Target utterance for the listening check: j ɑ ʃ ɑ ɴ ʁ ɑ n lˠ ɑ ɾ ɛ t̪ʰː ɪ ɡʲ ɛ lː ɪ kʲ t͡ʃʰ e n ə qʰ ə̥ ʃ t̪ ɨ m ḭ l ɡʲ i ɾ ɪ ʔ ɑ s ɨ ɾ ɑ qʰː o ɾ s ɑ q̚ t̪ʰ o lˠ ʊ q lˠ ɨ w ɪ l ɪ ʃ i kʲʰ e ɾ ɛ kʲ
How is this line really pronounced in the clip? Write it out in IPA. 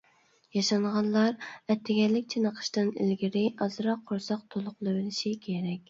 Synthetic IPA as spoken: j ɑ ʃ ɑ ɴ ʁ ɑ n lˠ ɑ ɾ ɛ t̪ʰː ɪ ɡʲ ɛ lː ɪ kʲ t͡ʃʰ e n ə qʰ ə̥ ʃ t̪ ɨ n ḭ l ɡʲ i ɾ ɪ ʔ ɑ z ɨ ɾ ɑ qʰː o ɾ s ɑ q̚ t̪ʰ o lˠ ʊ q lˠ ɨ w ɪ l ɪ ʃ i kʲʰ e ɾ ɛ kʲ